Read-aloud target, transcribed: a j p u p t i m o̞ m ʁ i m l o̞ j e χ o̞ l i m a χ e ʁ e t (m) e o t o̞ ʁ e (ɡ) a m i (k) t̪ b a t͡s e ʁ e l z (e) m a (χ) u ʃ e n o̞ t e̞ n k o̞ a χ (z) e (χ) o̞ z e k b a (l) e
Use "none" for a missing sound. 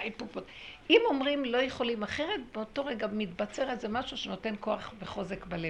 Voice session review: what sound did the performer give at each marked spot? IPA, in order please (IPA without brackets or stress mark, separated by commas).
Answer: b, ɡ, none, e, ʃ, v, χ, l